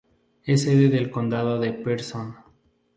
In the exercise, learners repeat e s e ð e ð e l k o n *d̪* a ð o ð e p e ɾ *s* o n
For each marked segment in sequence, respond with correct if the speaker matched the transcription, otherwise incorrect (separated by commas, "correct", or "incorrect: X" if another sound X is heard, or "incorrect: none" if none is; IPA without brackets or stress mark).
correct, correct